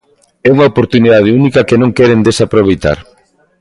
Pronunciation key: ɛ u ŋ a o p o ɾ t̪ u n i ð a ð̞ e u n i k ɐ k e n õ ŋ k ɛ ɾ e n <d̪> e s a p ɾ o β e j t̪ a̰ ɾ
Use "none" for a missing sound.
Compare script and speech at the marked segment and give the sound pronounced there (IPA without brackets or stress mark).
d̪